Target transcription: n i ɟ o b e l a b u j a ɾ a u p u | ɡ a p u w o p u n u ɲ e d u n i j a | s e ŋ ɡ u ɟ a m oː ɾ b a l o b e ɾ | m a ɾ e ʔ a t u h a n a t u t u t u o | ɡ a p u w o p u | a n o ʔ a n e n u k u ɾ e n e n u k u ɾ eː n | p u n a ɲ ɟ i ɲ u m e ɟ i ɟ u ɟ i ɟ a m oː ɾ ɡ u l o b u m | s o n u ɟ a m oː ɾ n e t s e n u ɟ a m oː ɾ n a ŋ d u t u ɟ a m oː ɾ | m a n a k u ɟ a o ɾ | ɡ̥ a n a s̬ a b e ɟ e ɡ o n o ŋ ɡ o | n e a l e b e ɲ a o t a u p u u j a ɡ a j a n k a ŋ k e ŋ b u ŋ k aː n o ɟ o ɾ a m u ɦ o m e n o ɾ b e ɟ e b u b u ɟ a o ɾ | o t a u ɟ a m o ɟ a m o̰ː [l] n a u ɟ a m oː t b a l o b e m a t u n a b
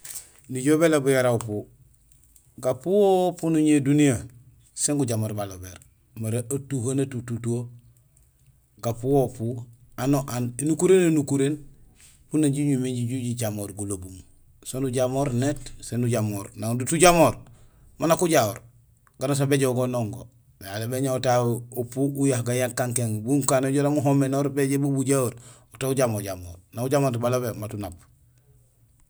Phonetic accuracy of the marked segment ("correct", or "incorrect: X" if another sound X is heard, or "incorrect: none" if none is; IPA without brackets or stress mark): incorrect: ɾ